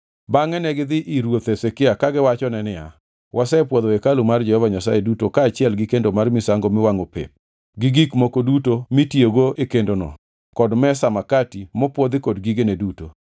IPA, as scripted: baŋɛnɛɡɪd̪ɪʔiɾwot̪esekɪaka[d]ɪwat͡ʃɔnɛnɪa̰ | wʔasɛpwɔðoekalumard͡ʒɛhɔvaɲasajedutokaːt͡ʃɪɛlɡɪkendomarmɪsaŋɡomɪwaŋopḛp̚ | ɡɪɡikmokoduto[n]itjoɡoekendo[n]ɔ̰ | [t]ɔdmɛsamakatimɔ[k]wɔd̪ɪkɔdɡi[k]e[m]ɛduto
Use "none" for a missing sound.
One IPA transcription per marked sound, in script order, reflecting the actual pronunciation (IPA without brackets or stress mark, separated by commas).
ɡ, m, n, k, p, ɡ, n